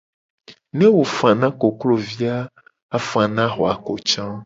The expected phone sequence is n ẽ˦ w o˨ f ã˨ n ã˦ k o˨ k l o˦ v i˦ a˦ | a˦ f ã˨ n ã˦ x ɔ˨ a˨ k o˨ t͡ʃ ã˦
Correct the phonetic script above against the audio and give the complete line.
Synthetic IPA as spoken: n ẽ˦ w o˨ f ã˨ n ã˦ k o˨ k l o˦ v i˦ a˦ | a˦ f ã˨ n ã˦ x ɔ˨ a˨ k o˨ t͡ʃ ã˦